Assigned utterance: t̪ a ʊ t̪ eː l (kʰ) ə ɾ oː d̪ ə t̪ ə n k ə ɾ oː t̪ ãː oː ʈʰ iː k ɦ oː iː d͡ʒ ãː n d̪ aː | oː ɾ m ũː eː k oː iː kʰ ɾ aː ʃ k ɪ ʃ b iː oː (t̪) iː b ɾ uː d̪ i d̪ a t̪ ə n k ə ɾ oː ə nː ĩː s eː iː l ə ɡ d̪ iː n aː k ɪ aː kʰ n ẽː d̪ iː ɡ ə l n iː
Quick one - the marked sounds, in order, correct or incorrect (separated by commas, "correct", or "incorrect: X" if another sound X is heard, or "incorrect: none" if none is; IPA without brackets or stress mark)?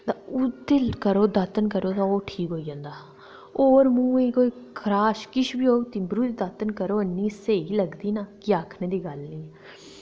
incorrect: k, correct